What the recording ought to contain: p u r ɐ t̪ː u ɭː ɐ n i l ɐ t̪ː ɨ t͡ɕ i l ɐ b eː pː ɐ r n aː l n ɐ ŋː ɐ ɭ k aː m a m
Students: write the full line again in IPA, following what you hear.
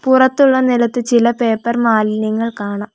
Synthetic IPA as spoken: p u r ɐ t̪ː u ɭː ɐ n i l ɐ t̪ː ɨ t͡ɕ i l ɐ p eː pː ɐ r m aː l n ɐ ŋː ɐ ɭ k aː ɳ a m